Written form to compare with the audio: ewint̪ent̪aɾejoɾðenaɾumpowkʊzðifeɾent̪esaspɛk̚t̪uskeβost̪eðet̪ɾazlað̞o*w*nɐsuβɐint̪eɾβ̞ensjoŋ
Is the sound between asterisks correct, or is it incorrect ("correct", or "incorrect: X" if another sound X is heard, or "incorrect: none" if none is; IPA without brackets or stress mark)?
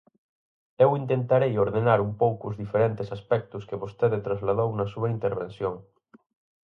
correct